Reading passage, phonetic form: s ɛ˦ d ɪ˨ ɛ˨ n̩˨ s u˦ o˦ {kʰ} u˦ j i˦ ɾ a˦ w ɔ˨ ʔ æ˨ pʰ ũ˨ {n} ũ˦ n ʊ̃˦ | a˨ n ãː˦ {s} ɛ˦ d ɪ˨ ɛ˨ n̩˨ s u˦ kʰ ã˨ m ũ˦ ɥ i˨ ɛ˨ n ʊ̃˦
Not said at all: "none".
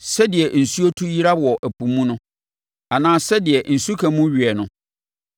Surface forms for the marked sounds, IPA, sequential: tʰ, m, s

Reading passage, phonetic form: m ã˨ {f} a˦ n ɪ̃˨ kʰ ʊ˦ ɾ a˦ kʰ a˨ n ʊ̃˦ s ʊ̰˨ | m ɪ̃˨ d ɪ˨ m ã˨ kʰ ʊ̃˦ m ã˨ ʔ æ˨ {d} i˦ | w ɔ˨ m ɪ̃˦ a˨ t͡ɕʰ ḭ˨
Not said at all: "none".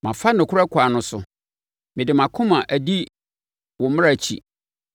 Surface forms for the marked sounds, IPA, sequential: f, d

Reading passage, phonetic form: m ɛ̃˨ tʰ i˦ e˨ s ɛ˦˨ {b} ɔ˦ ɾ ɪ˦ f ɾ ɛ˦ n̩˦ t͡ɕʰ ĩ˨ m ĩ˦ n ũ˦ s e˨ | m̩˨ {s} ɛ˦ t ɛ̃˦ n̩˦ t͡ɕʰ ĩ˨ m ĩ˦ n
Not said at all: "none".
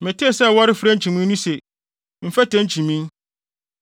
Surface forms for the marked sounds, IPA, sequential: w, f

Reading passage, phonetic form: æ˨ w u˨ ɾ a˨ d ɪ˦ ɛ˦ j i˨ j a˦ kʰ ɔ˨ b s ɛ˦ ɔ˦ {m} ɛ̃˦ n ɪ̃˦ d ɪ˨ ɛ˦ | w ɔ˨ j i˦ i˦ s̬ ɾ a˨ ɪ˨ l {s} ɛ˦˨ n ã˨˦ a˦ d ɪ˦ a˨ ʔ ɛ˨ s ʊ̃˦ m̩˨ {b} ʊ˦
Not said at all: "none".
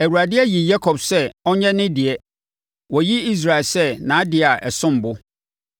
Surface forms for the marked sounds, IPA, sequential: ɲ, s, b

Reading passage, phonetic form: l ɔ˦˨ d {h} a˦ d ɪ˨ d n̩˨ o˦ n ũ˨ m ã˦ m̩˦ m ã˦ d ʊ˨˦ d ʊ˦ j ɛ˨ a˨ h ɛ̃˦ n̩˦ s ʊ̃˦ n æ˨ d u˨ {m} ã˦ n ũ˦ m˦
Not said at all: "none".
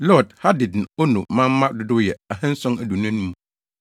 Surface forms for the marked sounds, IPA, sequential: h, n

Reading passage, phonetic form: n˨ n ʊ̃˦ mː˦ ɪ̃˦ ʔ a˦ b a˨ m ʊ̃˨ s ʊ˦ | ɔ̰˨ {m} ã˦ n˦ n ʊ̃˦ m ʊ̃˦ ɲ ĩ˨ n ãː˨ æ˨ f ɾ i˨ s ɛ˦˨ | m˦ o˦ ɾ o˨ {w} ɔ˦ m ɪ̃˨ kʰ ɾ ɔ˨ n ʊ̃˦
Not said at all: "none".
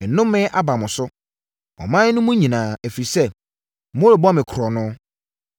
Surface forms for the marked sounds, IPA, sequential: m, b

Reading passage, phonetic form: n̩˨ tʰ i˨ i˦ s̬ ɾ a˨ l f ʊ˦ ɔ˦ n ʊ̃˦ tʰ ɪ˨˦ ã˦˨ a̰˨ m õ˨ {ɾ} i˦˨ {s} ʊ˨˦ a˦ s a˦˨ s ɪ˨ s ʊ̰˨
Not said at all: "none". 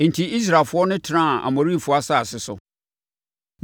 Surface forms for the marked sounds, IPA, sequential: ɾ, f

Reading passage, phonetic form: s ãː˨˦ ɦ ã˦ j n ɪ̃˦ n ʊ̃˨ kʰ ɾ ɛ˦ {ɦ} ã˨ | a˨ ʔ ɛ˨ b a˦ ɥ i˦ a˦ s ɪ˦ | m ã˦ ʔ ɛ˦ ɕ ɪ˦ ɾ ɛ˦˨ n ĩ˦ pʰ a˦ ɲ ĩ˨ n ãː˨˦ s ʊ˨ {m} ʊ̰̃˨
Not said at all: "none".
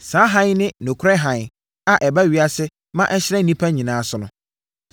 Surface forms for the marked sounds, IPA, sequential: ɦ, n

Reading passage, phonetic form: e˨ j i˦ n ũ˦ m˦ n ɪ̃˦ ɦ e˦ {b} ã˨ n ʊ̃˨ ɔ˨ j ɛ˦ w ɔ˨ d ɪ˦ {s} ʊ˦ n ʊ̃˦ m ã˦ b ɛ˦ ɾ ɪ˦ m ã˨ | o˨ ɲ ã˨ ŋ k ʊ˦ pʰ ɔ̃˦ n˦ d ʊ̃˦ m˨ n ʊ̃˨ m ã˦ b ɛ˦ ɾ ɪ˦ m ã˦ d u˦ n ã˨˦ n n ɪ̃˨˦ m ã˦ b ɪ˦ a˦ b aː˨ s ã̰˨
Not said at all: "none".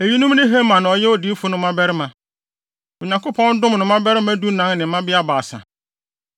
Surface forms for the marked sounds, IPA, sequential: m, f

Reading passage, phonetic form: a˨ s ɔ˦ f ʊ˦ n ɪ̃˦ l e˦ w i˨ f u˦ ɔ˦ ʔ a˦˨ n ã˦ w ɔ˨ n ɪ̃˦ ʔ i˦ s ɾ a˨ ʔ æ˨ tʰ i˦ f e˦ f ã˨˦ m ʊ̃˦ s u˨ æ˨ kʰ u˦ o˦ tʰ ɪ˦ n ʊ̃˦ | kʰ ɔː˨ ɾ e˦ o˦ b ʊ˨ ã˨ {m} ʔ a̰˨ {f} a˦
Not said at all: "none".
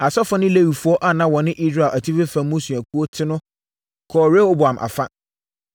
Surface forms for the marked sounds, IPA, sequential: m, f

